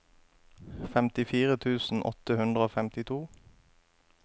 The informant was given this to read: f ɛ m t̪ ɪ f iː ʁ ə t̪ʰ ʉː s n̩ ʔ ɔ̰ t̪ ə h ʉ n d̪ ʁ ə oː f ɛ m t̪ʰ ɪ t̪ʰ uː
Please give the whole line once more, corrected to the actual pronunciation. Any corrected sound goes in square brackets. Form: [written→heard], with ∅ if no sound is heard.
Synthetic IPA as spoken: f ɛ m t̪ ɪ f iː ʁ ə t̪ʰ ʉː s n̩ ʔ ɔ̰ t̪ ə h ʉ n d̪ ʁ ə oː f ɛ m [t̪ʰ→t̪] ɪ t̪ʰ uː